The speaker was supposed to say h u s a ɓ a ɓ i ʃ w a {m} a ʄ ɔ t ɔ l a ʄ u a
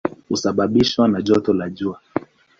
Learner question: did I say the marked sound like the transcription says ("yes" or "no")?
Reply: no